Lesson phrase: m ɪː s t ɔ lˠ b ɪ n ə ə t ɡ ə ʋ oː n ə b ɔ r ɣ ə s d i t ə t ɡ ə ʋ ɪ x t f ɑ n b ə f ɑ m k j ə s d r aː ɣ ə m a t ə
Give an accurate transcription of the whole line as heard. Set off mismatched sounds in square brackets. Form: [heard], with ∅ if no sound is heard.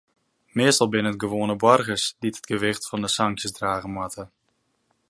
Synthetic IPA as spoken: m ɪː s t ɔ lˠ b ɪ n ə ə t ɡ ə ʋ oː n ə b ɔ r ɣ ə s d i t ə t ɡ ə ʋ ɪ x t f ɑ n [d] ə [s] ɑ [ŋ] k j ə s d r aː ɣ ə m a t ə